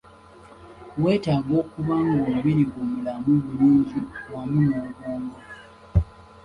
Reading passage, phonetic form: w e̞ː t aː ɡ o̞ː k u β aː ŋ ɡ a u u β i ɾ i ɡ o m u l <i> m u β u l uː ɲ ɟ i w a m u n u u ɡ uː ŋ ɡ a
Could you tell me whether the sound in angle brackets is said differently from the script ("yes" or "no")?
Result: yes